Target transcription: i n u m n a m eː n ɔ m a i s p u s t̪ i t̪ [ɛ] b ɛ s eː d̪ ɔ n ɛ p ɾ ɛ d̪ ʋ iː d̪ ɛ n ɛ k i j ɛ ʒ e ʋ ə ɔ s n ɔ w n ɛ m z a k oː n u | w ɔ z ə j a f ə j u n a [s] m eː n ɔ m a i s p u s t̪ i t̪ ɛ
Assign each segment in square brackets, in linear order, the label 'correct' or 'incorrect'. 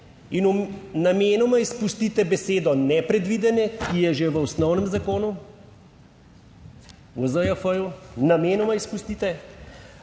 correct, incorrect

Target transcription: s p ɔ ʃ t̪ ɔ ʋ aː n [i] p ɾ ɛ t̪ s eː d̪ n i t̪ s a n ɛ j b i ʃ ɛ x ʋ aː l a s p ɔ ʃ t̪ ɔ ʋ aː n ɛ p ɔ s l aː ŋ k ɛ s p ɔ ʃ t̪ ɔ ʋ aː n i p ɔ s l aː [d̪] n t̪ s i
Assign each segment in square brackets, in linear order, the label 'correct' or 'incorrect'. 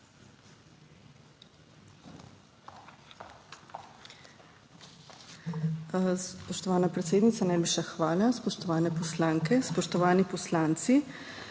incorrect, incorrect

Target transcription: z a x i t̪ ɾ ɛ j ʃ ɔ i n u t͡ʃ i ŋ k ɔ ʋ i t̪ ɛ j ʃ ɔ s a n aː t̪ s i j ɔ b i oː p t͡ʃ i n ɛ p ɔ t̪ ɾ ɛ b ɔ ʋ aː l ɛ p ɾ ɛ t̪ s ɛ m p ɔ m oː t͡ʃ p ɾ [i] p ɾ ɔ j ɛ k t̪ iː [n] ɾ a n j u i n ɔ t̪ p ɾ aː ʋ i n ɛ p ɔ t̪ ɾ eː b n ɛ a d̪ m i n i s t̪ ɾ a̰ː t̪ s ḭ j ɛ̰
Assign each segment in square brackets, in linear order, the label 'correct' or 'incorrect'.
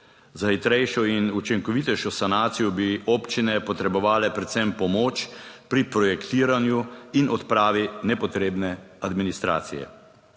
correct, incorrect

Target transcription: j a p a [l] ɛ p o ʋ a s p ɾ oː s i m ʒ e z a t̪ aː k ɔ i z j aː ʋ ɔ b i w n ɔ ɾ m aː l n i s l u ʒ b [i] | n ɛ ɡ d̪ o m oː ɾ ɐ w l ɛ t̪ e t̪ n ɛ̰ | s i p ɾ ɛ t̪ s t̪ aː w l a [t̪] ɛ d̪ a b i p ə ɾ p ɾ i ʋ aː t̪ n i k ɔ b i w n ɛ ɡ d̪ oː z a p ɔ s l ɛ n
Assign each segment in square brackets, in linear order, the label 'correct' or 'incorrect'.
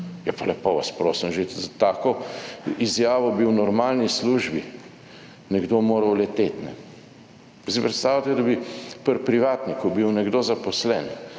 correct, correct, correct

